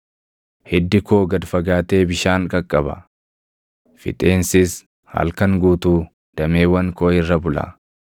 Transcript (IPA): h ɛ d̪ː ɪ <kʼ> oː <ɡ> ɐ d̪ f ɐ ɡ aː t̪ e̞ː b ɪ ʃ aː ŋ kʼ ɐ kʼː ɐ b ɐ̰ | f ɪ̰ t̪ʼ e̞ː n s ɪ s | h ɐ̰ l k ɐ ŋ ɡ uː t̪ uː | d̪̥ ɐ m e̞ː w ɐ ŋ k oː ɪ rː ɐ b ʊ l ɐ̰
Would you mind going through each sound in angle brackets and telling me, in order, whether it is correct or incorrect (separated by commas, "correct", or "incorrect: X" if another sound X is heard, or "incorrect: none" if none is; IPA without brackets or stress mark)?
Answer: incorrect: k, correct